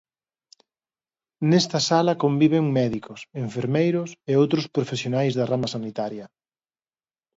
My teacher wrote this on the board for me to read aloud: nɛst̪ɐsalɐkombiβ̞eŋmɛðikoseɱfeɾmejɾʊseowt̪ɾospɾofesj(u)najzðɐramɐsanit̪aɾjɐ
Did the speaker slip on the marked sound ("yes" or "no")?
yes